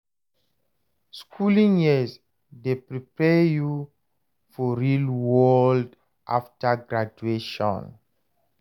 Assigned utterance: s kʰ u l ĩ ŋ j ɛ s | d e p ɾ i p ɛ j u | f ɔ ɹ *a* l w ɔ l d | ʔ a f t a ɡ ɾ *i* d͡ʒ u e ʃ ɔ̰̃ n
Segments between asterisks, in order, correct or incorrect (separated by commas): incorrect, incorrect